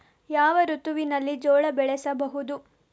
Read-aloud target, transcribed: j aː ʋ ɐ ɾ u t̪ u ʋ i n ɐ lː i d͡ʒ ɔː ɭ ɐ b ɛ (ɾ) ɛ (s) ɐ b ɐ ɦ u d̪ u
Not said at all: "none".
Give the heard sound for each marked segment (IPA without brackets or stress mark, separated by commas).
ɭ, s